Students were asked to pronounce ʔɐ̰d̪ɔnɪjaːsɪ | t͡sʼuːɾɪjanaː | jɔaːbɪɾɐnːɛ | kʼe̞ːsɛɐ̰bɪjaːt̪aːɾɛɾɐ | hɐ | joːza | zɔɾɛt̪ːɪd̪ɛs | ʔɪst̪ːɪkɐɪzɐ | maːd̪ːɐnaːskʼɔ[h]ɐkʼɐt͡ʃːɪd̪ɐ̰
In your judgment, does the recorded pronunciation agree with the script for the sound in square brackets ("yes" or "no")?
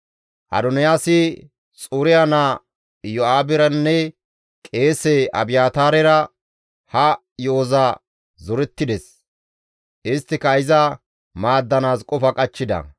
no